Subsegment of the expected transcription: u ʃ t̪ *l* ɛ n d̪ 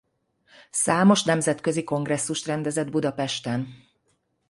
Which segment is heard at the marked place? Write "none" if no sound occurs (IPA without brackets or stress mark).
r